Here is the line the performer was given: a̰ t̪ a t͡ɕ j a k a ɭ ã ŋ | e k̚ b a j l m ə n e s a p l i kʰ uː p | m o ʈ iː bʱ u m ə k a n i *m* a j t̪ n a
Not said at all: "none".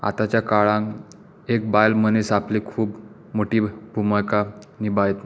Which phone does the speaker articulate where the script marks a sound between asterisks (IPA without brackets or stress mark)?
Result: b